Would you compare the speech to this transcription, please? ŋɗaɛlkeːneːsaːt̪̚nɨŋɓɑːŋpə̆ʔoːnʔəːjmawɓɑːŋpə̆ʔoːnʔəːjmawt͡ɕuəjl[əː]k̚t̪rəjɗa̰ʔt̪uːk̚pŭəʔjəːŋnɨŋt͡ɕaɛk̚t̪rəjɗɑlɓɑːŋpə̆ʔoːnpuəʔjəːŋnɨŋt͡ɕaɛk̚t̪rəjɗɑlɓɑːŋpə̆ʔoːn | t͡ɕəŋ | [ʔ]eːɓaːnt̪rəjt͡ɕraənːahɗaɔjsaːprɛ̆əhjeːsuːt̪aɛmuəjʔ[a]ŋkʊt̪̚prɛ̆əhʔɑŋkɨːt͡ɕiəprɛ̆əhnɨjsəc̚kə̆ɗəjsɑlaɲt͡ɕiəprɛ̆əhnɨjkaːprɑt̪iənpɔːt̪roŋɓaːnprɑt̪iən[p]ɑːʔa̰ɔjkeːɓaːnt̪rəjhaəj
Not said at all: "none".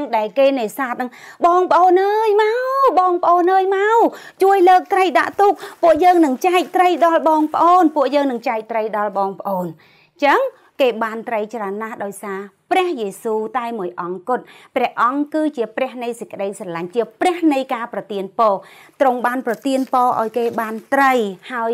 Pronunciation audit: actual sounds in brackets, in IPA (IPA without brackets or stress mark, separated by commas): əː, k, ɑ, p